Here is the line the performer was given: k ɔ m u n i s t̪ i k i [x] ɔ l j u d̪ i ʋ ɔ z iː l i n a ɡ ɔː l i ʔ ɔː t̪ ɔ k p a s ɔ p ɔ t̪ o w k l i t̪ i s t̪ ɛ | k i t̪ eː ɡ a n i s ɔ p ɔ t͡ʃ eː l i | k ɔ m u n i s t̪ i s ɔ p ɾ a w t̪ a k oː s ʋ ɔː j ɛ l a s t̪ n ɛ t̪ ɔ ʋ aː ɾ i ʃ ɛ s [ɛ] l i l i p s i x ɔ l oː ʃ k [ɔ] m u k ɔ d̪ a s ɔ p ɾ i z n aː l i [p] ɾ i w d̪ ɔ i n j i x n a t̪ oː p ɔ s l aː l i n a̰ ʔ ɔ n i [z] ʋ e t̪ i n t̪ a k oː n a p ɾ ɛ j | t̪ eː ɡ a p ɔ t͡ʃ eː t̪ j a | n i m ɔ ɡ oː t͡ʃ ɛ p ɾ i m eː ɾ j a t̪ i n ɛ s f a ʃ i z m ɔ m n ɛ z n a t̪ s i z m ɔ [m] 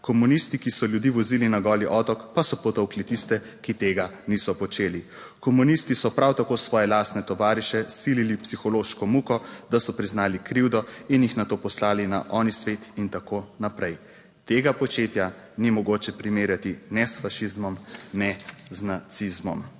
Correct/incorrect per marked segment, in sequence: incorrect: s, incorrect: i, correct, incorrect: k, incorrect: s, correct

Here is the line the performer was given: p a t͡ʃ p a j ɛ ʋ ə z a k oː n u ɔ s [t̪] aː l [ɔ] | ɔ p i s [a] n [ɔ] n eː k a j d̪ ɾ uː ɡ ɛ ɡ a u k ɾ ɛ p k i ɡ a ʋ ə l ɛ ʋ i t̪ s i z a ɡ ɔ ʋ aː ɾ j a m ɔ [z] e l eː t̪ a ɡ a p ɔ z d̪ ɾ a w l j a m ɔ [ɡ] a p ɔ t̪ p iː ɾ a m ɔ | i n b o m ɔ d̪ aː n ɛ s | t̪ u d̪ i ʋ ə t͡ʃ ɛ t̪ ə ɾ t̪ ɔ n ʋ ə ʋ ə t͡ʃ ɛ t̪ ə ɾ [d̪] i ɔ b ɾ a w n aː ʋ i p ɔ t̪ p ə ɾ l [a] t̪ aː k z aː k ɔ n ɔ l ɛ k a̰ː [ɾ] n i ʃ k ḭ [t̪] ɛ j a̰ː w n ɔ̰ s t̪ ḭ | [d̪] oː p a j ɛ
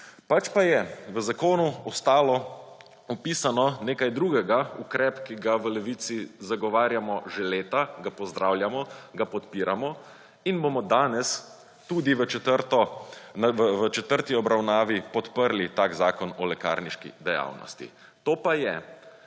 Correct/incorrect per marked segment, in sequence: correct, correct, correct, correct, incorrect: ʒ, correct, incorrect: t̪, incorrect: i, correct, incorrect: d̪, incorrect: t̪

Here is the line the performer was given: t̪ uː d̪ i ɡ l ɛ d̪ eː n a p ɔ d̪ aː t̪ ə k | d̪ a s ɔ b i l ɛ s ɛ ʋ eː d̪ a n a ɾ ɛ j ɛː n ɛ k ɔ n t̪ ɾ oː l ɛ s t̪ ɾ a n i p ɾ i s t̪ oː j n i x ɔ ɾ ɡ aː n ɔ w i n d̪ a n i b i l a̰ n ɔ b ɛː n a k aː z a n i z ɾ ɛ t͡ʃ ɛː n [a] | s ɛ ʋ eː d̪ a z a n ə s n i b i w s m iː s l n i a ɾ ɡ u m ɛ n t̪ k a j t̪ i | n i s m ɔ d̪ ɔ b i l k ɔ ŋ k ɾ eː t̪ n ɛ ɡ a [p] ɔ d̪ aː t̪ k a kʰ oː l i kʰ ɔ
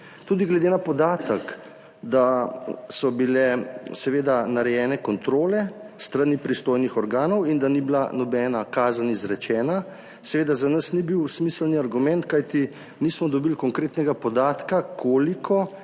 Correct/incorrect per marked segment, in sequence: correct, correct

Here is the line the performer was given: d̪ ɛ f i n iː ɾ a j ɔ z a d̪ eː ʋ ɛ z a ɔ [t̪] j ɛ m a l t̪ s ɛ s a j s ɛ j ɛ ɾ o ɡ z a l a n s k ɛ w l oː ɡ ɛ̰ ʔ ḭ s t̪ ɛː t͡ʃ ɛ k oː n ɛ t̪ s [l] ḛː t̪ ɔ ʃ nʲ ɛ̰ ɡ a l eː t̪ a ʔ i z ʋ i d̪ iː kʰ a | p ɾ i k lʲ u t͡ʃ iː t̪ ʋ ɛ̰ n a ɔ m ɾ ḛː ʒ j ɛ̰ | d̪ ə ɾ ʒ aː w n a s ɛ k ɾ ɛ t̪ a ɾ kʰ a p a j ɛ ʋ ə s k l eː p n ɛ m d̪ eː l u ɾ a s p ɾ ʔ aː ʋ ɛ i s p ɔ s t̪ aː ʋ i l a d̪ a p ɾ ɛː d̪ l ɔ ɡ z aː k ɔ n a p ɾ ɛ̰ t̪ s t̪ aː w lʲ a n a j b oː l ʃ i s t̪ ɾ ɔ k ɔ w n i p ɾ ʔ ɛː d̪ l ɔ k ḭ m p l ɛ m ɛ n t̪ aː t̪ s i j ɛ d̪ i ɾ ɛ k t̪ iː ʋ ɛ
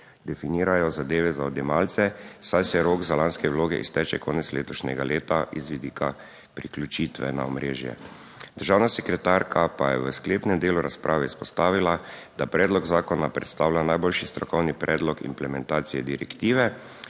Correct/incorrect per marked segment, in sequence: incorrect: d̪, correct

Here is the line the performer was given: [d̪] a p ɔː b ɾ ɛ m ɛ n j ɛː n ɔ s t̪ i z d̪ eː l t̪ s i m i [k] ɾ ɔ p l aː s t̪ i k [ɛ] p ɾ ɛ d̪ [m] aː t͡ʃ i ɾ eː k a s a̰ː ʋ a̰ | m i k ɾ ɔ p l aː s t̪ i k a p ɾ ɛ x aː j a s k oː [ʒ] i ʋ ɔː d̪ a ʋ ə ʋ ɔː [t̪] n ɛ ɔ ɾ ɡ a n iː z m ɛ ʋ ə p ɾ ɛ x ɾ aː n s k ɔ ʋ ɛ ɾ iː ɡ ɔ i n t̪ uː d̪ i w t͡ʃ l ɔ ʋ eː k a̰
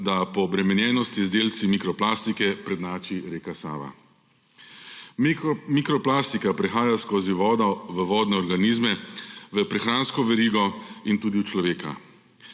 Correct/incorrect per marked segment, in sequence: correct, correct, correct, incorrect: n, incorrect: z, incorrect: d̪

